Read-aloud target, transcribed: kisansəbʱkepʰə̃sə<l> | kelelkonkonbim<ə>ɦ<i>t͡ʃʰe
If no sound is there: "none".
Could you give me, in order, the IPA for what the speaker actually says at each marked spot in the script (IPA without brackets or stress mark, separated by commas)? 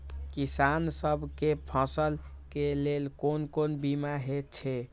l, a, e